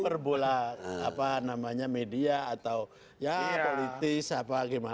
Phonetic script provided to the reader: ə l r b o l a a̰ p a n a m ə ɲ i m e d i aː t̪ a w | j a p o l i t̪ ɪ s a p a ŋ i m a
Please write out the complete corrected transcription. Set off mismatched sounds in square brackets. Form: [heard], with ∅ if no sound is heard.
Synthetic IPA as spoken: ə [∅] r b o l a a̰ p a n a m [a] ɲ [a] m e d i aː t̪ a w | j a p o l i t̪ ɪ s a p a [ɡ] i m a

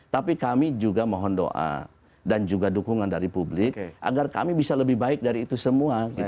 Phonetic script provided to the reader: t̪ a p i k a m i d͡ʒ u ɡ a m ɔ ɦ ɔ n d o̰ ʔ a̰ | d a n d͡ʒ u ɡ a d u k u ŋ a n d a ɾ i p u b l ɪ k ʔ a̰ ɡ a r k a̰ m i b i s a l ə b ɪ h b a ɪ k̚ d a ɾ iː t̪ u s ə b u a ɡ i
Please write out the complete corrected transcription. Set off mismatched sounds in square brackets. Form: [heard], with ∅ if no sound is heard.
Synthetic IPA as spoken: t̪ a p i k a m i d͡ʒ u ɡ a m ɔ ɦ ɔ n d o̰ ʔ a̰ | d a n d͡ʒ u ɡ a d u k u ŋ a n d a ɾ i p u b l ɪ k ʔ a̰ ɡ a r k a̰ m i b i s a l ə b ɪ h b a ɪ k̚ d a ɾ iː t̪ u s ə [m] u a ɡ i

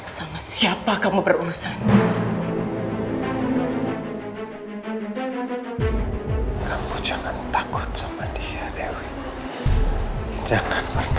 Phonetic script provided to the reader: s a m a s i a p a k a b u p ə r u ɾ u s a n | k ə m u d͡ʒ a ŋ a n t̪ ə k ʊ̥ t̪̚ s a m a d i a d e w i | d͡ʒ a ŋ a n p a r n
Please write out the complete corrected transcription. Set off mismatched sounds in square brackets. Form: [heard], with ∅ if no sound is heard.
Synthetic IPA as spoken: s a m a s i a p a k a [m] u [b] ə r u ɾ u s a n | k [a] m u d͡ʒ a ŋ a n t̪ [a] k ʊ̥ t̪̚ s a m a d i a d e w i | d͡ʒ a ŋ a n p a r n

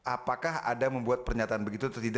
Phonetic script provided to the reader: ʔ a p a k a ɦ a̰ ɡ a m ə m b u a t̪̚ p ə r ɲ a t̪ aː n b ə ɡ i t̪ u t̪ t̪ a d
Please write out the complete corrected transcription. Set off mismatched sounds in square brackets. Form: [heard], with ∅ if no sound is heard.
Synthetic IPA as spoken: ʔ a p a k a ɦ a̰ [d] a m ə m b u a t̪̚ p ə r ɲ a t̪ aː n b ə ɡ i t̪ u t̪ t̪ [i] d

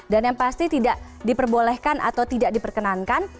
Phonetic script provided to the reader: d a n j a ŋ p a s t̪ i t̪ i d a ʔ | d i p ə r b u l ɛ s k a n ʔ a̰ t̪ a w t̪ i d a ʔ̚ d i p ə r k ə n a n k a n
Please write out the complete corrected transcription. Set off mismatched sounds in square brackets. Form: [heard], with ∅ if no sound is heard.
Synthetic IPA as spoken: d a n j a ŋ p a s t̪ i t̪ i d a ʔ | d i p ə r b [o] l ɛ [h] k a n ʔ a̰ t̪ a w t̪ i d a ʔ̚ d i p ə r k ə n a n k a n

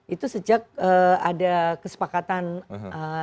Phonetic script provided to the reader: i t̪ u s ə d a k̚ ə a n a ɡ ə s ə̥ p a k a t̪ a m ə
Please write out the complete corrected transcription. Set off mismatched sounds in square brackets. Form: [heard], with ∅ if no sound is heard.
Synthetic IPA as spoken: i t̪ u s ə [d͡ʒ] a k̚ ə a [d] a [k] ə s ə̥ p a k a t̪ a [n] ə

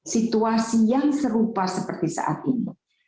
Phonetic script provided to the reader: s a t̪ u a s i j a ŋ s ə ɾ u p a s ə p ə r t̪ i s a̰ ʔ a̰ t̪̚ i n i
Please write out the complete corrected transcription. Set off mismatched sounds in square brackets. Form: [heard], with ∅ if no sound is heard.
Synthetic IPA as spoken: s [i] t̪ u a s i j a ŋ s ə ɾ u p a s ə p ə r t̪ i s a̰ ʔ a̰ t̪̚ i n i

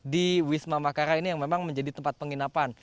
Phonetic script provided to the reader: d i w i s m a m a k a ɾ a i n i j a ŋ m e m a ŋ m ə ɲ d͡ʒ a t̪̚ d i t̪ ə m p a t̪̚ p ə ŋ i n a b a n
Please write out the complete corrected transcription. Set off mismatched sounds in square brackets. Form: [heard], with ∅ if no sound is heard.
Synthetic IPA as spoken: d i w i s m a m a k a ɾ a i n i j a ŋ m e m a ŋ m ə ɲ d͡ʒ a [∅] d i t̪ ə m p a t̪̚ p ə ŋ i n a [p] a n

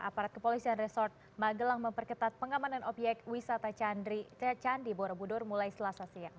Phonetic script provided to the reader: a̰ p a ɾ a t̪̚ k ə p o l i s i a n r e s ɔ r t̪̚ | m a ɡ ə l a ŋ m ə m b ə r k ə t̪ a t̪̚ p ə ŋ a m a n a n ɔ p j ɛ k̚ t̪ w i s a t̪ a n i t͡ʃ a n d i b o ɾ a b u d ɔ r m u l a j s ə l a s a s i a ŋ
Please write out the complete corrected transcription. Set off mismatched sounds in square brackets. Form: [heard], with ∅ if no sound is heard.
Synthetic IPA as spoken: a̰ p a ɾ a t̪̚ k ə p o l i s i a n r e s ɔ r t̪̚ | m a ɡ ə l a ŋ m ə m [p] ə r k ə t̪ a t̪̚ p ə ŋ a m a n a n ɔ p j ɛ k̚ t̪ w i s a t̪ a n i t͡ʃ a n d i b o ɾ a b u d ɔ r m u l a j s ə l a s a s i a ŋ

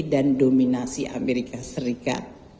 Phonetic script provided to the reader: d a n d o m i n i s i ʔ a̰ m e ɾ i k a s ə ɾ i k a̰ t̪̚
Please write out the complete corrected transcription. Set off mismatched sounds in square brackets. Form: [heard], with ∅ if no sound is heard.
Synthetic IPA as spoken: d a n d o m i n [a] s i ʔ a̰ m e ɾ i k a s ə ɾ i k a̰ t̪̚

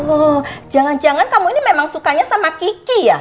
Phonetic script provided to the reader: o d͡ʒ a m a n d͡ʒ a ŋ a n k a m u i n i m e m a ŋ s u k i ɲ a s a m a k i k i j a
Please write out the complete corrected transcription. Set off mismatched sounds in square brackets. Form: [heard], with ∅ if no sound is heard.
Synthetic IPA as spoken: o d͡ʒ a [ŋ] a n d͡ʒ a ŋ a n k a m u i n i m e m a ŋ s u k [a] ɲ a s a m a k i k i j a

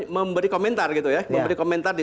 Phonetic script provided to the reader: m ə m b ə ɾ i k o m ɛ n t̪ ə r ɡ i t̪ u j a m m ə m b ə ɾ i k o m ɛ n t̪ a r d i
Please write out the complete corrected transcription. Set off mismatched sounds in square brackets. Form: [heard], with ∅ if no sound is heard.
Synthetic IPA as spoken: m ə m b ə ɾ i k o m ɛ n t̪ [a] r ɡ i t̪ u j a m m ə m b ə ɾ i k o m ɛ n t̪ a r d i

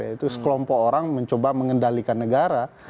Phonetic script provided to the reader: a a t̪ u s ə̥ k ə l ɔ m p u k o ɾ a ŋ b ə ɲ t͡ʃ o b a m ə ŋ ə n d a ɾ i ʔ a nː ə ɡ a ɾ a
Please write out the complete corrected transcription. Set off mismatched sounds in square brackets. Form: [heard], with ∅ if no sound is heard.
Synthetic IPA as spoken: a [i] t̪ u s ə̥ k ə l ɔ m p [ɔ] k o ɾ a ŋ [m] ə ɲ t͡ʃ o b a m ə ŋ ə n d a [l] i [k] a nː ə ɡ a ɾ a

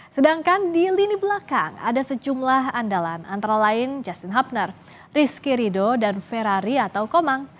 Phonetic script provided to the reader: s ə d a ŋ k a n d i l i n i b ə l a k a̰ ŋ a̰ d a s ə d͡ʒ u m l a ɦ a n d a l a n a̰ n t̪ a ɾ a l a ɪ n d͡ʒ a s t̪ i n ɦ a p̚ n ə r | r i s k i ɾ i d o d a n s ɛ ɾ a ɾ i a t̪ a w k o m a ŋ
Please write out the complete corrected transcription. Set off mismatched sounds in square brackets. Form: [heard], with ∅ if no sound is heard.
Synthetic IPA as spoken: s ə d a ŋ k a n d i l i n i b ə l a k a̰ ŋ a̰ d a s ə d͡ʒ u m l a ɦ a n d a l a n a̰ n t̪ a ɾ a l a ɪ n d͡ʒ a s t̪ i n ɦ a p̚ n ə r | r i s k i ɾ i d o d a n [f] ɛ ɾ a ɾ i a t̪ a w k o m a ŋ

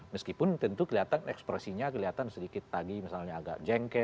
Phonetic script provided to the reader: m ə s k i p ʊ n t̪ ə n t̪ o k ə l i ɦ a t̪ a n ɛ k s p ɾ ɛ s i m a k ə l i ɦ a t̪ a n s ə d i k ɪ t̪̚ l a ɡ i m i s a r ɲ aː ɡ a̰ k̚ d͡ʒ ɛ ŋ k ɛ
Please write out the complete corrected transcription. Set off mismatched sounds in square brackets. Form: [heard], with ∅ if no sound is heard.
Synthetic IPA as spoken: m ə s k i p ʊ n t̪ ə n t̪ [u] k ə l i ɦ a t̪ a n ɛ k s p ɾ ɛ s i [ɲ] a k ə l i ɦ a t̪ a n s ə d i k ɪ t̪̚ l a ɡ i m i s a [l] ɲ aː ɡ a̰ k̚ d͡ʒ ɛ ŋ k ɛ

